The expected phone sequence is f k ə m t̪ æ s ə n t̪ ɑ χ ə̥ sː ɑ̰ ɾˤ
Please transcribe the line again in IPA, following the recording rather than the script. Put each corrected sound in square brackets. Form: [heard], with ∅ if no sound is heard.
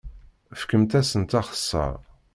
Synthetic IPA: f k ə m t̪ æ s ə n t̪ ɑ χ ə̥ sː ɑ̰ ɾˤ